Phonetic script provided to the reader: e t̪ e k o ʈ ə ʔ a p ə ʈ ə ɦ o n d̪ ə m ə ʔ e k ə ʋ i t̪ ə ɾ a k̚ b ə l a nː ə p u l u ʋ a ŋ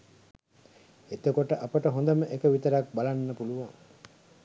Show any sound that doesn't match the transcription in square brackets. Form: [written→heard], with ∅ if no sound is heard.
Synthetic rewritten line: e t̪ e k o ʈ ə ʔ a p ə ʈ ə ɦ o n d̪ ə m ə ʔ e k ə ʋ i t̪ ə ɾ a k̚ b [ə→a] l a nː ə p u l u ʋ a ŋ